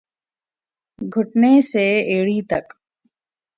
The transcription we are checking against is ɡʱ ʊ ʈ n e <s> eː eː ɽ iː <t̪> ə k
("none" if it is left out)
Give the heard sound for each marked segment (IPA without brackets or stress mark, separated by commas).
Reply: s, t̪